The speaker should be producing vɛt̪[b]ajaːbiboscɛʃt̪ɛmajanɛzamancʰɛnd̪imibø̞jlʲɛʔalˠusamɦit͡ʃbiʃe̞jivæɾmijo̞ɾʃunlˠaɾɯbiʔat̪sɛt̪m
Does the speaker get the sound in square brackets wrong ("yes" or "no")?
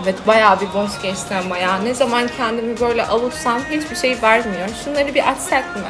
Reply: no